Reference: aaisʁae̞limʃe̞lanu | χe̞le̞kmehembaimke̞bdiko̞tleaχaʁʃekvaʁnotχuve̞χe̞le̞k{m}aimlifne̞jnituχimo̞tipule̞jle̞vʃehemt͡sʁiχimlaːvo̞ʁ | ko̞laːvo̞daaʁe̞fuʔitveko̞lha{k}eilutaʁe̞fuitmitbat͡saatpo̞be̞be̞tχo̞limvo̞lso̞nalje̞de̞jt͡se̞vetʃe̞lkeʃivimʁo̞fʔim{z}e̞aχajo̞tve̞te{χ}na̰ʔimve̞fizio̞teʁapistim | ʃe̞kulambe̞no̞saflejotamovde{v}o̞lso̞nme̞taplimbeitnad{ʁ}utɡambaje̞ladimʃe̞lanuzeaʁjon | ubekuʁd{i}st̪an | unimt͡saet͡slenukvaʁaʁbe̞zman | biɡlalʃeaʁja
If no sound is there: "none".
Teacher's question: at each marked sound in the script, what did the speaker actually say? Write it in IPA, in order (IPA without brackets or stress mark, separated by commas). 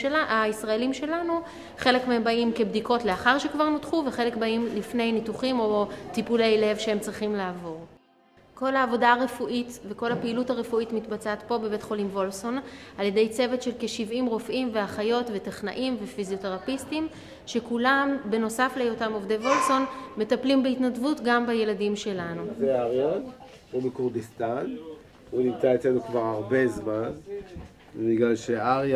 b, p, v, χ, v, v, i